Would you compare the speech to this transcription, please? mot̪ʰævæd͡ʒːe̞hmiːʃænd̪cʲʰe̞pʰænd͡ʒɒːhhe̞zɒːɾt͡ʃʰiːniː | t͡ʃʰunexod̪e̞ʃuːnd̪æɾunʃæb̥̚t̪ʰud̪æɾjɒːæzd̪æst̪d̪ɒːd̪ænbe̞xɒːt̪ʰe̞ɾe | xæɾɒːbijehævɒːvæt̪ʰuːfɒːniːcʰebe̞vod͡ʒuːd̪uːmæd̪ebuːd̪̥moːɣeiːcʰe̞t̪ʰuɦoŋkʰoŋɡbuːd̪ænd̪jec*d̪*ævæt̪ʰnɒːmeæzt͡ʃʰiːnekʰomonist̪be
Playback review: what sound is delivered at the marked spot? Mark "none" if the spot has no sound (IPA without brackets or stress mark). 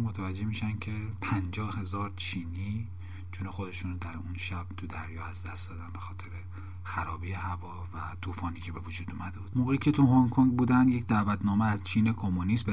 d̪